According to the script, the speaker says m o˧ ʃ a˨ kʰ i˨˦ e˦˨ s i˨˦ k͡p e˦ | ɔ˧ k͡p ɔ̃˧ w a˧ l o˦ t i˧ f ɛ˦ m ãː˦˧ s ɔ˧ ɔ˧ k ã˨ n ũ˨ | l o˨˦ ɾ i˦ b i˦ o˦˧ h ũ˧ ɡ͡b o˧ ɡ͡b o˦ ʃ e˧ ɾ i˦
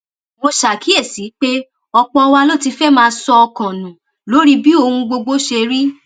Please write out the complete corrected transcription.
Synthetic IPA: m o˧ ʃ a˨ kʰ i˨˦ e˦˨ s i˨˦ k͡p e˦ | ɔ˧ k͡p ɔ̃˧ w a˧ l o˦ t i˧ f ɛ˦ m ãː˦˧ s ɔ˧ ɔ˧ k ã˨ n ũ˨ | l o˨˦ ɾ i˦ b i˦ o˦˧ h ũ˧ ɡ͡b o˧ ɡ͡b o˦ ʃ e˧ ɾ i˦